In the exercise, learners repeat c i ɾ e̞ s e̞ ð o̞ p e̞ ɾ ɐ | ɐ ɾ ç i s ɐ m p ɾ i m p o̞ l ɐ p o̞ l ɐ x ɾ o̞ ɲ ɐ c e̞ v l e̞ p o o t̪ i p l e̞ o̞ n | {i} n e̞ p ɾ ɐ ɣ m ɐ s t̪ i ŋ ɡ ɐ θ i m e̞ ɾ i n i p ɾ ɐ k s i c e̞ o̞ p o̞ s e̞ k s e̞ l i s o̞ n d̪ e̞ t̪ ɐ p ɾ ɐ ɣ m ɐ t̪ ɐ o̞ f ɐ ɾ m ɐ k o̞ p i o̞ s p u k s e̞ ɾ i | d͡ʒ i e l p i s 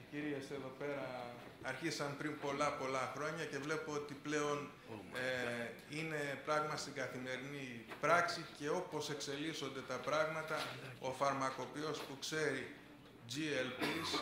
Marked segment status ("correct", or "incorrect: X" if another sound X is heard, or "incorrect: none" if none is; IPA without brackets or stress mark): correct